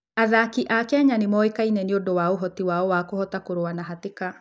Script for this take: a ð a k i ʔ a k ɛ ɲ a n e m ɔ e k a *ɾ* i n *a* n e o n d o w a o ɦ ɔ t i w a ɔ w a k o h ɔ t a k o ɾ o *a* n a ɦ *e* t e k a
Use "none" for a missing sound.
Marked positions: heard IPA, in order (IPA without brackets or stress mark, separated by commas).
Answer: none, ɛ, a, a